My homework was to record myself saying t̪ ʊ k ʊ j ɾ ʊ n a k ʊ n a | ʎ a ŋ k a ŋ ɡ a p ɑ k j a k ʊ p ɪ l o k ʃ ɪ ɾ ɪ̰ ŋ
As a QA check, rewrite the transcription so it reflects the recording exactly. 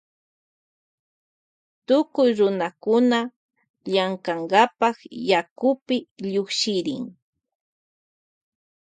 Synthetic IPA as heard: t̪ ʊ k ʊ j ɾ ʊ n a k ʊ n a | ʎ a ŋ k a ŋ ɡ a p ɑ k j a k ʊ p ɪ ʎ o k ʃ ɪ ɾ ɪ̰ ŋ